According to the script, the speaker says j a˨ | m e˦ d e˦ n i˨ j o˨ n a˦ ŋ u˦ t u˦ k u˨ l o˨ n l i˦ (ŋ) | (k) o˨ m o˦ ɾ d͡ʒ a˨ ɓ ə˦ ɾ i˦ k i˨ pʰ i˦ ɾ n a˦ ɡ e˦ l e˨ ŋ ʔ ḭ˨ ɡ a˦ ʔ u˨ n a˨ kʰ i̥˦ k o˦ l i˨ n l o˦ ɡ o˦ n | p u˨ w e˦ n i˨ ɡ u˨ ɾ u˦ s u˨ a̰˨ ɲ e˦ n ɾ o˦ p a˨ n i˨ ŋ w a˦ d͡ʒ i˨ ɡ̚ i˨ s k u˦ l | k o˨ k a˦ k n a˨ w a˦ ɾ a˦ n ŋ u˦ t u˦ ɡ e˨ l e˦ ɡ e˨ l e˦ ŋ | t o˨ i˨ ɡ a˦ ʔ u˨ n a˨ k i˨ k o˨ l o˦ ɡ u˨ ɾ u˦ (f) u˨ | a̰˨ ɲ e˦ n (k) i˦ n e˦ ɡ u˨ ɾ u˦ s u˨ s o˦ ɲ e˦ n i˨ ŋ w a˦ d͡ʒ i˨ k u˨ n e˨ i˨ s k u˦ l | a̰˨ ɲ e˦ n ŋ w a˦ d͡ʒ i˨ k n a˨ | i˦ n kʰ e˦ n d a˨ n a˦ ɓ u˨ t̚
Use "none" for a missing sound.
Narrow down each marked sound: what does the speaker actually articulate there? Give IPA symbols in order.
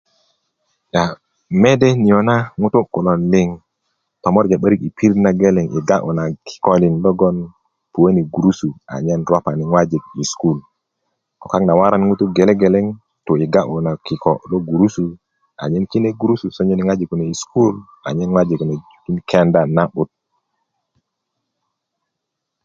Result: ŋ, t, s, k

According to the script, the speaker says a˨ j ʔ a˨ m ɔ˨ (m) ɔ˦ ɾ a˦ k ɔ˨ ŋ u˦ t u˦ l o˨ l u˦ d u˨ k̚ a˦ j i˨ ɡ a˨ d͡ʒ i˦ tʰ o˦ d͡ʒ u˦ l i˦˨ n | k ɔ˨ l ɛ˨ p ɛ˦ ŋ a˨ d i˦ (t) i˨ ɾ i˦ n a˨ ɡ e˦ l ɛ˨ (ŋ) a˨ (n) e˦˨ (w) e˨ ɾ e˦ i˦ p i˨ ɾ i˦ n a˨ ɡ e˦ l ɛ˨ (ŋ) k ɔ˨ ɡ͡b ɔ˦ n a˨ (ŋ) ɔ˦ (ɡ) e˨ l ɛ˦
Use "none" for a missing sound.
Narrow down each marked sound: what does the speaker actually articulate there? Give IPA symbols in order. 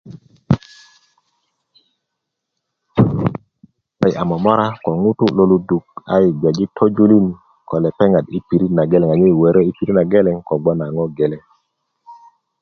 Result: m, p, ŋ, ɲ, w, ŋ, ŋ, ɡ

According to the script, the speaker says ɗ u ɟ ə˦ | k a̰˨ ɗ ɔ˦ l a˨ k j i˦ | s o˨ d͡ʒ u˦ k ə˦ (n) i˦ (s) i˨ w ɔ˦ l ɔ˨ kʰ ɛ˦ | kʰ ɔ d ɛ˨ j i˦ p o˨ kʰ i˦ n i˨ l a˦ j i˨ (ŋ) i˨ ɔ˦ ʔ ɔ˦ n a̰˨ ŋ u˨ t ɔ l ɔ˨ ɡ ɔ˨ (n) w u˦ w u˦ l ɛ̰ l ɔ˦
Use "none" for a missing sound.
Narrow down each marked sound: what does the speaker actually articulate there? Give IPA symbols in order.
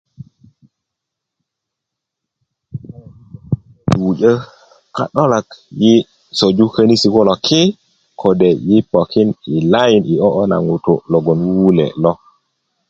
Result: n, s, n, n

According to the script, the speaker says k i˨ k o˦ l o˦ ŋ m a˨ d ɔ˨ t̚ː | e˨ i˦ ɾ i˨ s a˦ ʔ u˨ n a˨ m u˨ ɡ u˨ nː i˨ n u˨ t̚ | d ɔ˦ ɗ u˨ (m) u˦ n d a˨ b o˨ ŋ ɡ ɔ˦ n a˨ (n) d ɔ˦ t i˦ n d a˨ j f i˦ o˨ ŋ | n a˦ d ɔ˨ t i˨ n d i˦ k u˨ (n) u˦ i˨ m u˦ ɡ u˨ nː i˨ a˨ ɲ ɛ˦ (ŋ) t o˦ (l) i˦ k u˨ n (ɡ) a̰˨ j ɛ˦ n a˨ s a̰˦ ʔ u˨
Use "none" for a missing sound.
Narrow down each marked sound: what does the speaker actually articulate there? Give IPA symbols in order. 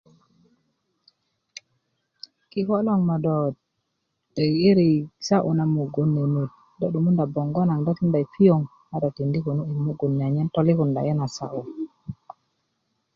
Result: m, ŋ, n, n, l, d

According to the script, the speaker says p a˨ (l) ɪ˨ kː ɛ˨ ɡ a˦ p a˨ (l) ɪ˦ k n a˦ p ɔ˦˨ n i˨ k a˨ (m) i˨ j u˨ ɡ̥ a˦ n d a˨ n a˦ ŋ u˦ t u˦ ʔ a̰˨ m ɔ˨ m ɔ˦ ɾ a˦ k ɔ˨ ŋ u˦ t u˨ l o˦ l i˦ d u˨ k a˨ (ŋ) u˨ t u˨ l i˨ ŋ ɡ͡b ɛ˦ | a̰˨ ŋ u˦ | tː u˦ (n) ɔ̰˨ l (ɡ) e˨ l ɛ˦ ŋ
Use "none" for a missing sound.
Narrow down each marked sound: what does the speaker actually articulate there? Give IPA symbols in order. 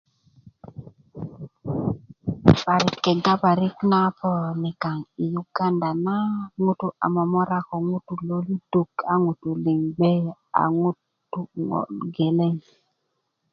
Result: ɾ, ɾ, ŋ, ŋ, ŋ, ɡ

